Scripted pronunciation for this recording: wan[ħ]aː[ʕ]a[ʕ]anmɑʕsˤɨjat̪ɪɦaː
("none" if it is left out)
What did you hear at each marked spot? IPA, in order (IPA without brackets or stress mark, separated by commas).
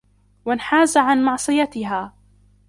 ħ, z, ʕ